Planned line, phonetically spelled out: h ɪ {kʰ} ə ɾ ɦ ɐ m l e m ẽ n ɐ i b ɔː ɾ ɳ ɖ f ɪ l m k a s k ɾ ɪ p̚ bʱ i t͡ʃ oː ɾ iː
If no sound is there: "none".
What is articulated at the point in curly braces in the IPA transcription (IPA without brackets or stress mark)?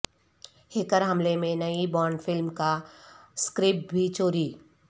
k